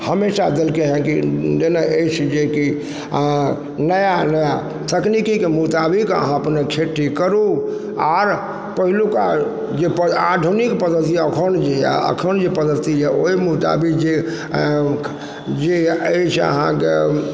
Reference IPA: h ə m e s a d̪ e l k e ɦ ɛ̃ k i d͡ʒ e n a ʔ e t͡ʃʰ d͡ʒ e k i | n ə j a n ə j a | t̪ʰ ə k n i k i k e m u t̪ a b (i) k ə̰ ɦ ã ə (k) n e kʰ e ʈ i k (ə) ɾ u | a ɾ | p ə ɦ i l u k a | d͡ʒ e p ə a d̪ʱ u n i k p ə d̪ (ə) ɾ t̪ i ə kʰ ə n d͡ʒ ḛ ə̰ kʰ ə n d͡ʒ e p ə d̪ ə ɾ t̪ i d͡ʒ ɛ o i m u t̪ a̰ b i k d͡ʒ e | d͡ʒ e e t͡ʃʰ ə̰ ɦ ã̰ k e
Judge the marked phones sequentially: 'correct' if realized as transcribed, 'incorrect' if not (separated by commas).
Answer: correct, incorrect, correct, correct